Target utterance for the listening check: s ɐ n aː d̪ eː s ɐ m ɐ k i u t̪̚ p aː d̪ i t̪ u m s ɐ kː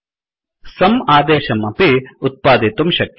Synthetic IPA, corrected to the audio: s ɐ m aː d̪ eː ʃ ɐ m ɐ p i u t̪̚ p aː d̪ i t̪ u m ʃ ɐ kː